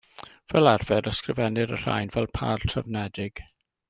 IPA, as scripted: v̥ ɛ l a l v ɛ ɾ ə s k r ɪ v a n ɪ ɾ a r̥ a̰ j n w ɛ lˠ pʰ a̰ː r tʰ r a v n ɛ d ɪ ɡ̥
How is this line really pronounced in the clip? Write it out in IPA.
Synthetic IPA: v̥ ɛ l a r v ɛ ɾ ə s k r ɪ v ɛ n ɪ ɾ ə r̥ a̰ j n v ɛ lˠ pʰ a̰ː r tʰ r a v n ɛ d ɪ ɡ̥